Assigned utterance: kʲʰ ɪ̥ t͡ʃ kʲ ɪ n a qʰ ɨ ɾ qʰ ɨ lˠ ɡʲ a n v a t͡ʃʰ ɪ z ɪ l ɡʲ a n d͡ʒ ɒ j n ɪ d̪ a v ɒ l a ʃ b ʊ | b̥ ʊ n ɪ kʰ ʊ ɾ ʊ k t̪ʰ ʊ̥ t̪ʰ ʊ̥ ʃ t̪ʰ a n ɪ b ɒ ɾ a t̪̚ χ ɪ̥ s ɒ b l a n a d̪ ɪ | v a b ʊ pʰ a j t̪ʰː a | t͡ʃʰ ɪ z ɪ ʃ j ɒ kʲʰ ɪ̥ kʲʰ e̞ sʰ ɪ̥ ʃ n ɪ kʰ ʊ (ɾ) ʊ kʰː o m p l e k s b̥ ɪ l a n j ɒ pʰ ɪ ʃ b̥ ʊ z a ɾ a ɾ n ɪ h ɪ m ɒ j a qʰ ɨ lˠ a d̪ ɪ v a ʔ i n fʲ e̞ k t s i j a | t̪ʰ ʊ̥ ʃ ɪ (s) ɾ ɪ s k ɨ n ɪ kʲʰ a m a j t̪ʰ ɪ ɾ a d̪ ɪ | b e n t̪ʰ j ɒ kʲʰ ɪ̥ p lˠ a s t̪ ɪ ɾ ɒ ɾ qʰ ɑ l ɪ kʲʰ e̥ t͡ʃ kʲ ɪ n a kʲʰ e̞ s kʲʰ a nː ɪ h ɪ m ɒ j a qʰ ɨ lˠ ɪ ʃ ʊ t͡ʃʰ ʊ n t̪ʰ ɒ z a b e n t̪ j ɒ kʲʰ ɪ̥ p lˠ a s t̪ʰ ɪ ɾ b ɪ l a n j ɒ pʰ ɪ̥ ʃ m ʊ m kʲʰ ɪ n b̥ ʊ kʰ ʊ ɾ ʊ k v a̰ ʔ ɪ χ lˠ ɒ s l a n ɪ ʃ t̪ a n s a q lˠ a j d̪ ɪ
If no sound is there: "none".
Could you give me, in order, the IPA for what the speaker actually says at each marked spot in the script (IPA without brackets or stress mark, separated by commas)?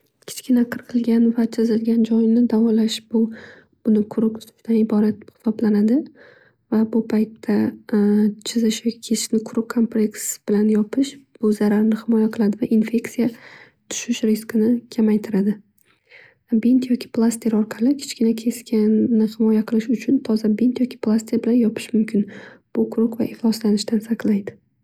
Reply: ɾ, ʃ